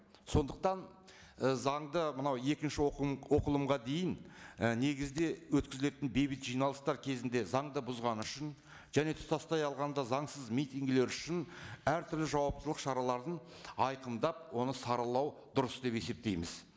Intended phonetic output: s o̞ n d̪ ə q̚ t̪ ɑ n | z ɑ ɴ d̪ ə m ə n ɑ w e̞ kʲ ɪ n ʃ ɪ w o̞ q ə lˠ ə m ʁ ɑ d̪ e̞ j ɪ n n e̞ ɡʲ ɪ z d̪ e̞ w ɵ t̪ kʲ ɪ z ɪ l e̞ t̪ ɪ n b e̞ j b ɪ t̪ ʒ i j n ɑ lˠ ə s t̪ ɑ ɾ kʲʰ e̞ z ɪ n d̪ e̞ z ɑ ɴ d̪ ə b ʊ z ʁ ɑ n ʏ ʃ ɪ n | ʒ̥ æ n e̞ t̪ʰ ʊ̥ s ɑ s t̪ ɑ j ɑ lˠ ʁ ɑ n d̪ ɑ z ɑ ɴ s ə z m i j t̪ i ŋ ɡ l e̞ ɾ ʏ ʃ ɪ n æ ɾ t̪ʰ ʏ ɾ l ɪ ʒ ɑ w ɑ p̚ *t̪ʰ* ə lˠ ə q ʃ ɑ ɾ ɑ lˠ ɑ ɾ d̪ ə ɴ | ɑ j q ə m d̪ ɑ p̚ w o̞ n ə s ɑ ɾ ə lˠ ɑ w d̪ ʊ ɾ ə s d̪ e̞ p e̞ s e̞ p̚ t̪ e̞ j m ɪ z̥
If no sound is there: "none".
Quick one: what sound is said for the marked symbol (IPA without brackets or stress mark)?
t̪